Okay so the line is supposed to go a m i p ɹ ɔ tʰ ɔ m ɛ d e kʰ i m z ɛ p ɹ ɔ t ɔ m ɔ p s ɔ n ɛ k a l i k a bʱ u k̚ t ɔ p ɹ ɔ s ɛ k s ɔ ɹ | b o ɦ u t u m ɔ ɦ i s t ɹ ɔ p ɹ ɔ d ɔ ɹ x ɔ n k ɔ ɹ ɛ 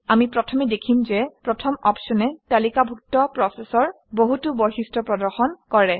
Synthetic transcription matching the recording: a m i p ɹ ɔ tʰ ɔ m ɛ d e kʰ i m z ɛ p ɹ ɔ tʰ ɔ m ɔ p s ɔ n ɛ t a l i k a bʱ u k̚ t ɔ p ɹ ɔ s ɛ s ɔ ɹ | b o ɦ u t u b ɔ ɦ i s t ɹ ɔ p ɹ ɔ d ɔ ɹ x ɔ n k ɔ ɹ ɛ